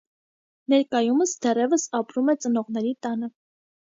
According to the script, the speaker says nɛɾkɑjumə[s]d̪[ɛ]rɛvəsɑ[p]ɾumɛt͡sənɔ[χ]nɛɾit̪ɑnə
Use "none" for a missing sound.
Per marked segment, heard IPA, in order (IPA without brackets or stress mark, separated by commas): s, ɛ, p, ʁ